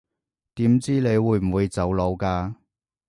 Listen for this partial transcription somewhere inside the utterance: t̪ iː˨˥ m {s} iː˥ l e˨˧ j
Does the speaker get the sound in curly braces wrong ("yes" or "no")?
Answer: yes